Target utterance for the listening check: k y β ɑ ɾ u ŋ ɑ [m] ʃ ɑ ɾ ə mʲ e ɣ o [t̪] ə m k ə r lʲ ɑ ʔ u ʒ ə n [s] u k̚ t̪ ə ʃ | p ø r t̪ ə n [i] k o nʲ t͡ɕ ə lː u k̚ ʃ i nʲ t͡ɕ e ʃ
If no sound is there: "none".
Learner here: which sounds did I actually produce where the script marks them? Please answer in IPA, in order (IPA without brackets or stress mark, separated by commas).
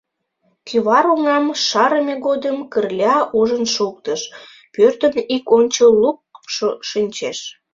m, d̪, ʃ, i